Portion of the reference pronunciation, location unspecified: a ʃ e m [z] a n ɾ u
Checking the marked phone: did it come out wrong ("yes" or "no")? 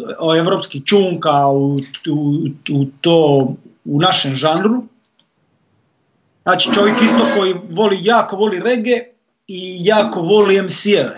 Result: yes